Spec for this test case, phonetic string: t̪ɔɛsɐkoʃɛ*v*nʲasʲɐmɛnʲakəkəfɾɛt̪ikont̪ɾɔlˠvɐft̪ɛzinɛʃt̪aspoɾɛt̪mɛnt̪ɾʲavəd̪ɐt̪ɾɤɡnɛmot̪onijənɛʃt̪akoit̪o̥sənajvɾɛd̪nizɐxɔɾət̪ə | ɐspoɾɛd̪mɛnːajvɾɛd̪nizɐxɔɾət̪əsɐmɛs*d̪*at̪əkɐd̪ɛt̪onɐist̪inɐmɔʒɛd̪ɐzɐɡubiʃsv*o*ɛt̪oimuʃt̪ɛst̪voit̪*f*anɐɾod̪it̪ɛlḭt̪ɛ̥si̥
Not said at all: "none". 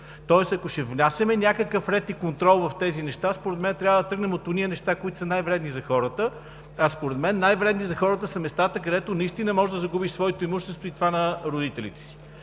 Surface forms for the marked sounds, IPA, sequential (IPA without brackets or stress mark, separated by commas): v, t̪, ɔ, v